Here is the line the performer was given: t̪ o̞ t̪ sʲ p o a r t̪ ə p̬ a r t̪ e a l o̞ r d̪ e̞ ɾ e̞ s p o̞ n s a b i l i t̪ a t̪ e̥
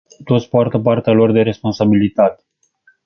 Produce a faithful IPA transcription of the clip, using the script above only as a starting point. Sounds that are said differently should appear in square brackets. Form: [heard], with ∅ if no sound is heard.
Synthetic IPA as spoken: t̪ o̞ t̪ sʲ p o a r t̪ ə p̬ a r t̪ e a l o̞ r d̪ e̞ ɾ e̞ s p o̞ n s a b i l i t̪ a t̪ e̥